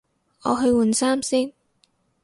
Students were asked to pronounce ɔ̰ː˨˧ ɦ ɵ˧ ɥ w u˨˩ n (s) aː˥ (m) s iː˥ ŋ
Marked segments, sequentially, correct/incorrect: correct, correct

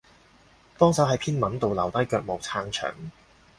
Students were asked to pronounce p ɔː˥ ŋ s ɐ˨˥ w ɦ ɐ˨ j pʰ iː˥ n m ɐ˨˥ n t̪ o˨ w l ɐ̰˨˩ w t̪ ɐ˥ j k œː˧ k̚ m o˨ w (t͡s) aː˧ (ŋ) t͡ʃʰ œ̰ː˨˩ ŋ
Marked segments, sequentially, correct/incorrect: incorrect, correct

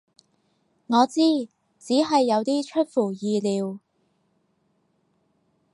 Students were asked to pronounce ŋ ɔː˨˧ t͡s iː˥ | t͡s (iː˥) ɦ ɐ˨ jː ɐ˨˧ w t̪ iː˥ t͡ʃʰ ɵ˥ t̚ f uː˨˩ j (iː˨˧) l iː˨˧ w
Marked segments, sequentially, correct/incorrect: incorrect, correct

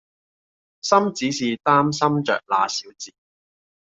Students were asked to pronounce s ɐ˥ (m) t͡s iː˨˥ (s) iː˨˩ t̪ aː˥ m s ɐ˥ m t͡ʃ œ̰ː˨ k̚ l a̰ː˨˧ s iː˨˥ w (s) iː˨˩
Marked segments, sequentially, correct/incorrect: correct, correct, incorrect

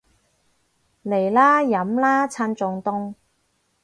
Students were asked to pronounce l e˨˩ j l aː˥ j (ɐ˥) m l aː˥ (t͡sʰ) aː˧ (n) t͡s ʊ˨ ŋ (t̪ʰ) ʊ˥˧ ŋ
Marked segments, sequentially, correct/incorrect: incorrect, correct, correct, incorrect

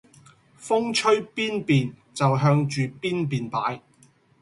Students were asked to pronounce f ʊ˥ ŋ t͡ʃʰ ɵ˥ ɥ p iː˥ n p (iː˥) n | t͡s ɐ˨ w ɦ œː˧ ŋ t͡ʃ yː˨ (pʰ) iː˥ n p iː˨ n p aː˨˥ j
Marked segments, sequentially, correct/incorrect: incorrect, incorrect

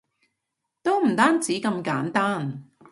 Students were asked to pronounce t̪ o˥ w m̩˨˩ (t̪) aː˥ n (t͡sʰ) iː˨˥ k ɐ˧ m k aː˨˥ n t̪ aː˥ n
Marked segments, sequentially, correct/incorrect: correct, incorrect

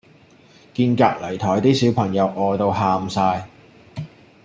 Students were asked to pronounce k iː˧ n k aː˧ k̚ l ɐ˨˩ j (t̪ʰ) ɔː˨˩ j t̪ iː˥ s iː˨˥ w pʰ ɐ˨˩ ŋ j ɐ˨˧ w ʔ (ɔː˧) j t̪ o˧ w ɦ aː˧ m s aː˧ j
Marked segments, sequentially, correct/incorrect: correct, correct

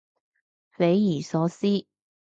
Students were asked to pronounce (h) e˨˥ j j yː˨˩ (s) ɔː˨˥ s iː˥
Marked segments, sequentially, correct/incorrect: incorrect, correct

